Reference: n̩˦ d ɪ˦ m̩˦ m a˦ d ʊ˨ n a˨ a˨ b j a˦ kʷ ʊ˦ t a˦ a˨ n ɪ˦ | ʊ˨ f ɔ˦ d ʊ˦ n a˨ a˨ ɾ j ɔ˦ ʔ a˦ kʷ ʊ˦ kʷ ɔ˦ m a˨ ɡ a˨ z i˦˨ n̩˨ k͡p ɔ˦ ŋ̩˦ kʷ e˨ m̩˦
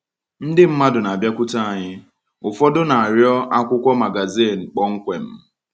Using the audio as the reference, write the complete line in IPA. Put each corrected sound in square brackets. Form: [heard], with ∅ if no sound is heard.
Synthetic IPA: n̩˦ d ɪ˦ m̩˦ m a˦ d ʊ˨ n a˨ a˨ b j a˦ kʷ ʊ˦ t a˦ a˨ [ɲ] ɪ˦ | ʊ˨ f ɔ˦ d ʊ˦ n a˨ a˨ ɾ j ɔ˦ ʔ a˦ kʷ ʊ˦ kʷ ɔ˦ m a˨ ɡ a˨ z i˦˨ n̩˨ k͡p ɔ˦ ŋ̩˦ kʷ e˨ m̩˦